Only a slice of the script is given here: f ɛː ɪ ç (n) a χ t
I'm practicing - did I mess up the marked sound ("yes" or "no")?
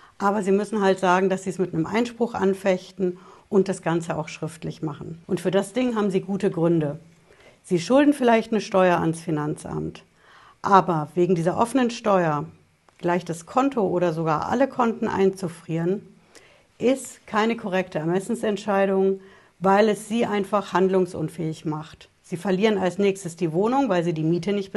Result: yes